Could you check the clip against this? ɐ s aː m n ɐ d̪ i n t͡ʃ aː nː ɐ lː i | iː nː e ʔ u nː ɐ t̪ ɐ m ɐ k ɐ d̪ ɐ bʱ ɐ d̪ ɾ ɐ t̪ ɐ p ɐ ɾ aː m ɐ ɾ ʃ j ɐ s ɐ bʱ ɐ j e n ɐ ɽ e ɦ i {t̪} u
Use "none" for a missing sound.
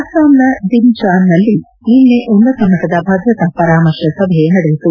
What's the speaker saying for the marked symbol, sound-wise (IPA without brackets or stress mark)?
t̪